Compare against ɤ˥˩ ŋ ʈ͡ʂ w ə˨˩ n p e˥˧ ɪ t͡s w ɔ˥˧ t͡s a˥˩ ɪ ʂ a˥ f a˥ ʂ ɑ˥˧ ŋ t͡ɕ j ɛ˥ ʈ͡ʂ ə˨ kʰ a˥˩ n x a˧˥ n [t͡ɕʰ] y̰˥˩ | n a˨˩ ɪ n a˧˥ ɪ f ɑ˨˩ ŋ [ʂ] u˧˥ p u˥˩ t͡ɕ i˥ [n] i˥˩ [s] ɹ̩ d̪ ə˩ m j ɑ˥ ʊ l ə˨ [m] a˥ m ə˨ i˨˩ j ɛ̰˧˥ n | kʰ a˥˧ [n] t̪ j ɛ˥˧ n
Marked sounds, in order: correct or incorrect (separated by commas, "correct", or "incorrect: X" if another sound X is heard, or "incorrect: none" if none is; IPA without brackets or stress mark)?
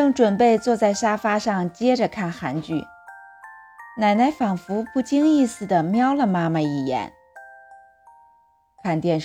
incorrect: t͡ɕ, incorrect: f, incorrect: ŋ, correct, correct, correct